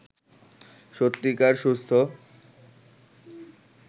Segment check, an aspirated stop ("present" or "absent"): present